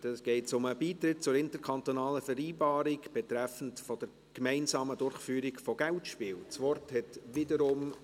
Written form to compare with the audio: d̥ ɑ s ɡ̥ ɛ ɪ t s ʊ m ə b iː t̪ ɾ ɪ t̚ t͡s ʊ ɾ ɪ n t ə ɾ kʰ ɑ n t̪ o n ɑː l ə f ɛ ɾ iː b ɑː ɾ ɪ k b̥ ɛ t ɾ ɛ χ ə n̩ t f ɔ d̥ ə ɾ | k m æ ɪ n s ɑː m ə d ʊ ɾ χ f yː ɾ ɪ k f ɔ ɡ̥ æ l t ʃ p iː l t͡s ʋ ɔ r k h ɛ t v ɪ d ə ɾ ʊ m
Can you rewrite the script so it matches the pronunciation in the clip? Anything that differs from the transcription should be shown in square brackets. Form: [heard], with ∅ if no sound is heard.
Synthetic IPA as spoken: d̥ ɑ s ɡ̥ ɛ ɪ t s ʊ m ə b iː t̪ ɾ ɪ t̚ t͡s ʊ ɾ ɪ n t ə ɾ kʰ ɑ n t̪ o n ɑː l ə f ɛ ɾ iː b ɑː ɾ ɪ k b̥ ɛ t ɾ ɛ [f] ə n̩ t f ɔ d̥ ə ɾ | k m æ ɪ n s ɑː m ə d ʊ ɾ χ f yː ɾ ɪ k f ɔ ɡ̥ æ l t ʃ p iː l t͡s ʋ ɔ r [t] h ɛ t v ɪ d ə ɾ ʊ m